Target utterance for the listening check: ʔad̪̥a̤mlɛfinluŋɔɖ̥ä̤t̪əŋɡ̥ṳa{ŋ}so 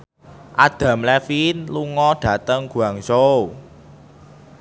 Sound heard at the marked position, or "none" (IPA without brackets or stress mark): ŋ